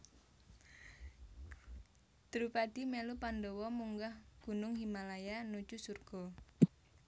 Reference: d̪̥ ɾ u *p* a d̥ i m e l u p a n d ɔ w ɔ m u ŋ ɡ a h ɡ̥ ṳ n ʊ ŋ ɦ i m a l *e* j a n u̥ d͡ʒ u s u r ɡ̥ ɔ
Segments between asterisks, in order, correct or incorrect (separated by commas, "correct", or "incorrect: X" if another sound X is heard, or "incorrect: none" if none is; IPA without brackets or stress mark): correct, incorrect: a